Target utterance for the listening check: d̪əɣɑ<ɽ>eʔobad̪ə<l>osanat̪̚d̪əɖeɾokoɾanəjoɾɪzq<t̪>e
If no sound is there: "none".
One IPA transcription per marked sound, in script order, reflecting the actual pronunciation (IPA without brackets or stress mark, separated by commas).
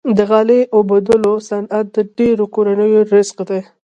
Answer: l, l, d̪